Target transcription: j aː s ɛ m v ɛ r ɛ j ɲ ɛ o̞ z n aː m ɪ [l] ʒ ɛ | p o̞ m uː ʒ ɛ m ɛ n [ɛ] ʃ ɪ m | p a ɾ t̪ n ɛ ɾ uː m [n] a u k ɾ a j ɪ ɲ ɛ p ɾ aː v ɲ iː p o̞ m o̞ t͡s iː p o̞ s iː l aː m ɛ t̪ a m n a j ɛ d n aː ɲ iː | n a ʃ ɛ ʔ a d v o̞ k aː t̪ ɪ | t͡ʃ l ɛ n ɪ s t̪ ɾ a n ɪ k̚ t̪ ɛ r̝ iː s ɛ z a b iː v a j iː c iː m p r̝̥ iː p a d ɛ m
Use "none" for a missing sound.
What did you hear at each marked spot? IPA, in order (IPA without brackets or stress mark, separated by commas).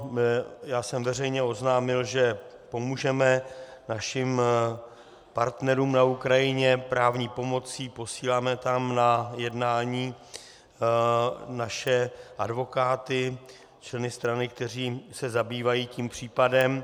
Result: l, a, n